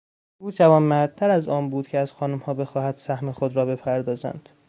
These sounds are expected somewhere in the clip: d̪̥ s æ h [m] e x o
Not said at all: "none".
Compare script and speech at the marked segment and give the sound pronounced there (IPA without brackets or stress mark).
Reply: m